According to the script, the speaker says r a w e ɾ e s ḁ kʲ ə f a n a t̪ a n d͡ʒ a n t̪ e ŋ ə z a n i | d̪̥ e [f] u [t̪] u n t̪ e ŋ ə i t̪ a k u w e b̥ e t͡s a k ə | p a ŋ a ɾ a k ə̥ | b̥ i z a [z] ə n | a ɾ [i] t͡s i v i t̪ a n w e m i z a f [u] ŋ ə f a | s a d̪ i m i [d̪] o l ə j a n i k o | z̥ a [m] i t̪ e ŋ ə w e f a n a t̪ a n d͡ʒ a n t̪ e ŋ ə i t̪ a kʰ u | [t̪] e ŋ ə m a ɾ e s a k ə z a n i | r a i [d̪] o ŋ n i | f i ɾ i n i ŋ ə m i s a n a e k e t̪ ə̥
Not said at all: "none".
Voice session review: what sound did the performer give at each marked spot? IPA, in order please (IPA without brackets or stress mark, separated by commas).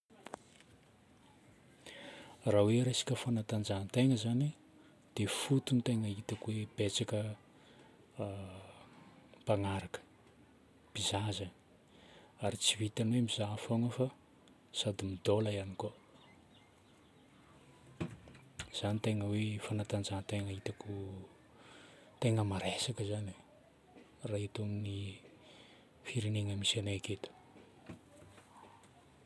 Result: f, t̪, z, i, o, d̪, n, t̪, t̪